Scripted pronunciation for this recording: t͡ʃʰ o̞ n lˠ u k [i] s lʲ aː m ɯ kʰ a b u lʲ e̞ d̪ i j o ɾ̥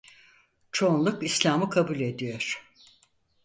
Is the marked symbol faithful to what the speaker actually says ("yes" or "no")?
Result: yes